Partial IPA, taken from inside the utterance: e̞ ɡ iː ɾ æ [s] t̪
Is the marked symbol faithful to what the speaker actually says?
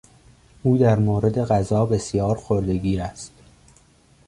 yes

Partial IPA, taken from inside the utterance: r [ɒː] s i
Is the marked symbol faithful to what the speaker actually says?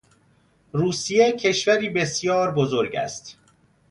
no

